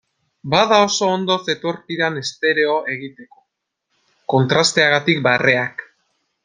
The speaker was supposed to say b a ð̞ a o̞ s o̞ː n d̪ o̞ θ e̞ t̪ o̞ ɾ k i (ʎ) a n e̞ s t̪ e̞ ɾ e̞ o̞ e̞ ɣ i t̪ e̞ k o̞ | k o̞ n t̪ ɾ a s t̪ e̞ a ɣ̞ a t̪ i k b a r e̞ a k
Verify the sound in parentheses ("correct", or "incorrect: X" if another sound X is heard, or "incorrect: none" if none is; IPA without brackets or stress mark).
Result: incorrect: ɾ